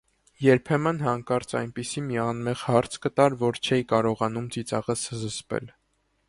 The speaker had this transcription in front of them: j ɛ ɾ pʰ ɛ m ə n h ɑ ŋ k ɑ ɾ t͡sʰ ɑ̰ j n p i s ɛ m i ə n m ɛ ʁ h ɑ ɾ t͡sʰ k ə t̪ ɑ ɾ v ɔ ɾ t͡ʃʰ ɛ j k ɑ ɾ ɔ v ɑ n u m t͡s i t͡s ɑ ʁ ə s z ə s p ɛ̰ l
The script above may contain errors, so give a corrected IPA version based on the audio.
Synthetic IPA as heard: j ɛ ɾ pʰ ɛ m ə n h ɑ ŋ k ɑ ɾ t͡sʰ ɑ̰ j n p i s i m i ɑ n m ɛ ʁ h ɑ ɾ t͡sʰ k ə t̪ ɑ ɾ v ɔ ɾ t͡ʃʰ ɛ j k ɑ ɾ ɔ ʁ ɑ n u m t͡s i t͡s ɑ ʁ ə s z ə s p ɛ̰ l